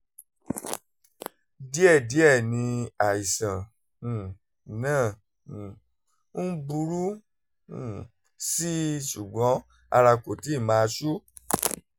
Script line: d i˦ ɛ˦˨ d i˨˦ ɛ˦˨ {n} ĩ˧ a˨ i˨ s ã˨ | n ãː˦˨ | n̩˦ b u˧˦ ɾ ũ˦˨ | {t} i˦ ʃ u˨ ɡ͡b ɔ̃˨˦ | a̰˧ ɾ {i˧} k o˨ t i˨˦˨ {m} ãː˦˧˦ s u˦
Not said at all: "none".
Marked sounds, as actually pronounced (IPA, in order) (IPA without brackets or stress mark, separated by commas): n, s, a˧, m